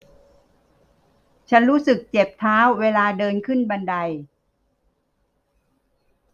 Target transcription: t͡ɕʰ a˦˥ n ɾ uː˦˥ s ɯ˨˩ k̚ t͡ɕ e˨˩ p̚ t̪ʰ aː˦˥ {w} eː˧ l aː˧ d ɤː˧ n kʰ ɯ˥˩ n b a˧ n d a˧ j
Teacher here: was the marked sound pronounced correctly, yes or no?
no